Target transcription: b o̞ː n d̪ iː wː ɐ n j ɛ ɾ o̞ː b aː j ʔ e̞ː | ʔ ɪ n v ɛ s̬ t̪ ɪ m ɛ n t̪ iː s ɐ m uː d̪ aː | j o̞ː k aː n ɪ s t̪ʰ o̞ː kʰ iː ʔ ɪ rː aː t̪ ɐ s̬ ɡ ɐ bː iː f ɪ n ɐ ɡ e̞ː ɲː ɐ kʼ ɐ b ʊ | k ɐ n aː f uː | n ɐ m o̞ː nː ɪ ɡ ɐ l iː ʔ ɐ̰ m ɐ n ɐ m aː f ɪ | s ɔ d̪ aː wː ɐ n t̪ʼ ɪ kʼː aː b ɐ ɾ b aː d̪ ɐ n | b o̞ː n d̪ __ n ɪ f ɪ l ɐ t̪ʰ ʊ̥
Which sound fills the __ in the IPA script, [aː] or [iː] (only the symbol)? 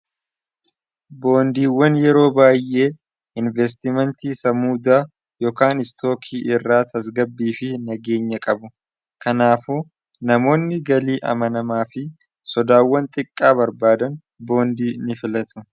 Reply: iː